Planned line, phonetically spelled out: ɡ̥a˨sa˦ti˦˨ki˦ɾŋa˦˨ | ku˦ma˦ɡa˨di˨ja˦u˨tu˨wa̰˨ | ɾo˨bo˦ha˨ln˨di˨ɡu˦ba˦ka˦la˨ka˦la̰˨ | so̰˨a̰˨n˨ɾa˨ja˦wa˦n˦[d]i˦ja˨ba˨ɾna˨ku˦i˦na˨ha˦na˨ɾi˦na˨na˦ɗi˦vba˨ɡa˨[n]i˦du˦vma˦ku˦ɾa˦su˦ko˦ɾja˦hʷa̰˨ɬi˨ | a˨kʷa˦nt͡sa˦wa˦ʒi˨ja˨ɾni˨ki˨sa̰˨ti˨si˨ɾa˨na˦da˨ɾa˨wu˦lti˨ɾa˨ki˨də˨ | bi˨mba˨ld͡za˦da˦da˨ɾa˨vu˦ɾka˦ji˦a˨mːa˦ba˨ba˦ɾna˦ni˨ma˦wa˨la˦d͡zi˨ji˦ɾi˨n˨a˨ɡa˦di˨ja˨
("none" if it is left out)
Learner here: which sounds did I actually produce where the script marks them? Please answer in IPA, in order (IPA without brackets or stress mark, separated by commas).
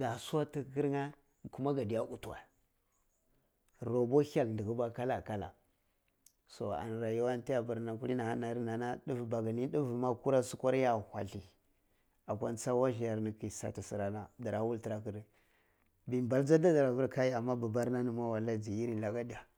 t, n